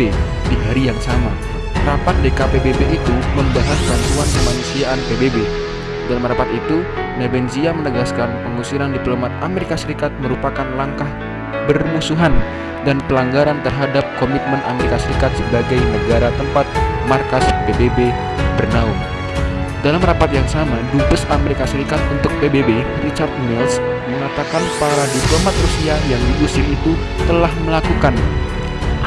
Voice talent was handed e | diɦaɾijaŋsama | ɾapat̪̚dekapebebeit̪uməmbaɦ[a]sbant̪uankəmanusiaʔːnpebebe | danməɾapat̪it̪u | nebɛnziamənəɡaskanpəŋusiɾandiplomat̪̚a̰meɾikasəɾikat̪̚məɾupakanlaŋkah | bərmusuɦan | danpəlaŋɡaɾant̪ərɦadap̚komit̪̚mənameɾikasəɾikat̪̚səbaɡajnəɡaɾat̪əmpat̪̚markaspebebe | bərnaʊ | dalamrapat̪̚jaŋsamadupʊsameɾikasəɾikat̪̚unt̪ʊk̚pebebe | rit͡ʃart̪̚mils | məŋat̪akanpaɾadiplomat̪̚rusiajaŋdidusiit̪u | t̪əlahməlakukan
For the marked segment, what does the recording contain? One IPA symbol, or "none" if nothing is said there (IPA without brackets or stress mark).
a